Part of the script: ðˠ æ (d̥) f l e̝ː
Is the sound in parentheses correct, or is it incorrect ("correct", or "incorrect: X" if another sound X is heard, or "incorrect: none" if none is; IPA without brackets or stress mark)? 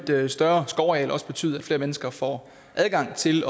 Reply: correct